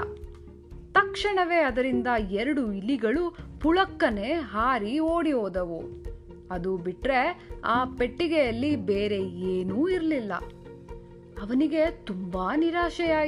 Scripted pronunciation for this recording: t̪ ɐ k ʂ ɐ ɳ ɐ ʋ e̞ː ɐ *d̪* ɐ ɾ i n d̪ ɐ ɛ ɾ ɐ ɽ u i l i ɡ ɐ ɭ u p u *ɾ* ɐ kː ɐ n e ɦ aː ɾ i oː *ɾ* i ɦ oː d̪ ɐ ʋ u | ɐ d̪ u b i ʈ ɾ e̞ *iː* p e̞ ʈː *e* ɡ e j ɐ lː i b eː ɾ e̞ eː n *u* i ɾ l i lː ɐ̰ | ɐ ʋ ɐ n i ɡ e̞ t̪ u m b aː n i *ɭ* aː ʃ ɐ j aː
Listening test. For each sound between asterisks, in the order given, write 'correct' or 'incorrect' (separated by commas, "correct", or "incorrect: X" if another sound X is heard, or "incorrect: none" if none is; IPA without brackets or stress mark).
correct, incorrect: ɭ, incorrect: ɽ, incorrect: aː, incorrect: i, incorrect: uː, incorrect: ɾ